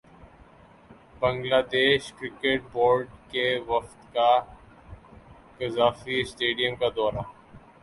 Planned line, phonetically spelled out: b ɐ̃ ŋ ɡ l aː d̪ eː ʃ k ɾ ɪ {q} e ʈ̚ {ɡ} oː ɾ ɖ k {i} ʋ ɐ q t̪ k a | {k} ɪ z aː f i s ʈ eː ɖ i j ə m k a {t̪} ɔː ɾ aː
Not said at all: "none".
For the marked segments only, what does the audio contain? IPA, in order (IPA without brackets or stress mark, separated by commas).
k, b, e, k, d̪